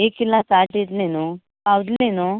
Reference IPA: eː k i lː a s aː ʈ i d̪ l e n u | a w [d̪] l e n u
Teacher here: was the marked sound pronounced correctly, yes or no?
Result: yes